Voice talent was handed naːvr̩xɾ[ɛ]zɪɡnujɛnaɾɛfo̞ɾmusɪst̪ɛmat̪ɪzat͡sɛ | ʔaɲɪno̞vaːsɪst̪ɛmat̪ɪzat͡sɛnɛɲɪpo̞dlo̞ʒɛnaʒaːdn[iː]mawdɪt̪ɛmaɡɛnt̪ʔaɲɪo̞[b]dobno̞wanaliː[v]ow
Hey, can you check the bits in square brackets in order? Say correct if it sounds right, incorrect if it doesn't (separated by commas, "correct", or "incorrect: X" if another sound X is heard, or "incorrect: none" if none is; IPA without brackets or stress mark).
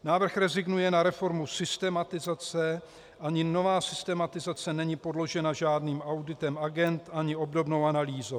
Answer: correct, correct, correct, incorrect: z